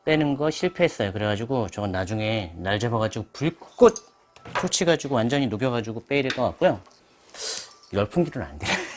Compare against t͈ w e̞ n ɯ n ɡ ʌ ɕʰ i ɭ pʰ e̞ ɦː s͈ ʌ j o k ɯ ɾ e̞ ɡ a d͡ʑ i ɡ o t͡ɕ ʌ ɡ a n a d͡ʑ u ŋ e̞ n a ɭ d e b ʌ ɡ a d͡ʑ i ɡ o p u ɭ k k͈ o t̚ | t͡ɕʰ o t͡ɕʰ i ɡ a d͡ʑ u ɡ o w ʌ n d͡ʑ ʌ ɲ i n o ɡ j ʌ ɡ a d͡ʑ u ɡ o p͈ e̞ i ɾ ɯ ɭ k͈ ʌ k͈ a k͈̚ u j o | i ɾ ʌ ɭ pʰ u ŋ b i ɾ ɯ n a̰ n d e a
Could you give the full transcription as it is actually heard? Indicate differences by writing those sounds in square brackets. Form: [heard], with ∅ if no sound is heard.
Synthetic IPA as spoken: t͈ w e̞ n ɯ n ɡ ʌ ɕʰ i ɭ pʰ e̞ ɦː s͈ ʌ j o k ɯ ɾ e̞ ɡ a d͡ʑ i ɡ o t͡ɕ ʌ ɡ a n a d͡ʑ u ŋ e̞ n a ɭ [d͡ʑ] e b ʌ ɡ a d͡ʑ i ɡ o p u ɭ k k͈ o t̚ | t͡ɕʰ o t͡ɕʰ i ɡ a d͡ʑ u ɡ o w [a] n d͡ʑ ʌ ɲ i n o ɡ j ʌ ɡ a d͡ʑ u ɡ o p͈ e̞ i ɾ ɯ ɭ k͈ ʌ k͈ a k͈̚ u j o | i ɾ ʌ ɭ pʰ u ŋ [ɡ] i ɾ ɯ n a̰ n d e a